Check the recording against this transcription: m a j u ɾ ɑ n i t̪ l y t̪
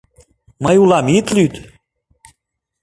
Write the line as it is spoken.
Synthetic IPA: m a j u l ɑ m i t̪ l y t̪